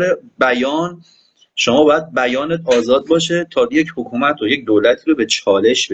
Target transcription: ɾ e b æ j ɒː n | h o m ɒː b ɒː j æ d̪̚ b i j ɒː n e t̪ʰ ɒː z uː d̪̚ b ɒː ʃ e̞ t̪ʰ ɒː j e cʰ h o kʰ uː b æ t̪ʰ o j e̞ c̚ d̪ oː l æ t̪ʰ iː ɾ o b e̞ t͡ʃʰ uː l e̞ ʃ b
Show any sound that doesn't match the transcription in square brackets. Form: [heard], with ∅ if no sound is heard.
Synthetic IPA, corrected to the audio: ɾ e b æ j ɒː n | [ʃ] o m ɒː b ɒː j æ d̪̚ b [æ] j ɒː n e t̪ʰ ɒː z [ɒː] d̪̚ b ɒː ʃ e̞ t̪ʰ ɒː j e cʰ h o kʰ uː [m] æ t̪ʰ o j e̞ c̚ d̪ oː l æ t̪ʰ iː ɾ o b e̞ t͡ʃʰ [ɒː] l e̞ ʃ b